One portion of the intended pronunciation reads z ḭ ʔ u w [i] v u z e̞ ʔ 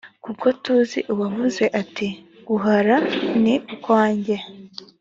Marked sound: incorrect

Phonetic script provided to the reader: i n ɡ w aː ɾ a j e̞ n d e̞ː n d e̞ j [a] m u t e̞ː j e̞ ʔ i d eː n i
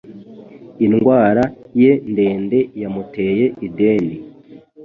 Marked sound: correct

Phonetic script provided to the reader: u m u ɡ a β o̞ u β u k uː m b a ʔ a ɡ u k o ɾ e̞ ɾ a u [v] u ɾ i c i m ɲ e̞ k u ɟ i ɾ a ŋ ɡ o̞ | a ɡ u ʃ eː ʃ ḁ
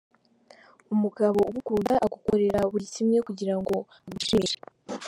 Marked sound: incorrect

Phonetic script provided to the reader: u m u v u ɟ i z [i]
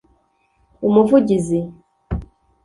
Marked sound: correct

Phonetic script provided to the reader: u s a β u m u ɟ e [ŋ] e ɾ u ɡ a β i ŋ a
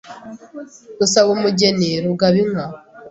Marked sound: incorrect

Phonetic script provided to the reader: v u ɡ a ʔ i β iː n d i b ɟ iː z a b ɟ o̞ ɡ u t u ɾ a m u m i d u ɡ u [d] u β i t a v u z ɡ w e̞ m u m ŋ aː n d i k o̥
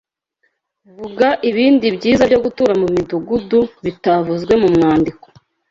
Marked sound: correct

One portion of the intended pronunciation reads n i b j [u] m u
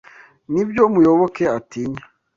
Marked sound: incorrect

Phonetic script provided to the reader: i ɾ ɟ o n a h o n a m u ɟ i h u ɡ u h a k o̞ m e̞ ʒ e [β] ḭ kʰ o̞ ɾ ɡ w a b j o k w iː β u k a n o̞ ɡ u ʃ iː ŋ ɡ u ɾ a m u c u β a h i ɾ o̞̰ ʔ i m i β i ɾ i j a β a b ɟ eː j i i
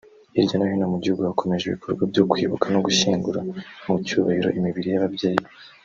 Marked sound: correct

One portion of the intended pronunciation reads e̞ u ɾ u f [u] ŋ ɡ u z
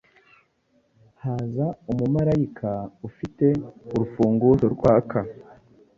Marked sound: incorrect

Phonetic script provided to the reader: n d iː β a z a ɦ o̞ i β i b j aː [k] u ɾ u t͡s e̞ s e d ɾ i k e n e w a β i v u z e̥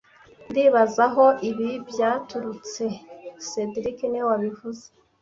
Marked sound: incorrect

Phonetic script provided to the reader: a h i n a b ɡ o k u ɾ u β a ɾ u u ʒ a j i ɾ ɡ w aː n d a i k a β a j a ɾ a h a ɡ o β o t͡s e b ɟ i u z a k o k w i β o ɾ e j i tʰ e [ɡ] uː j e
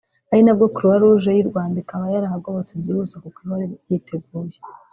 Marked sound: correct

